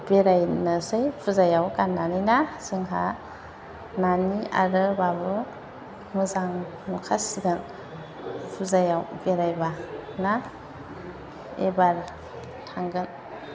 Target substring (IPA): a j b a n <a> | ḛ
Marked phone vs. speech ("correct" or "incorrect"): correct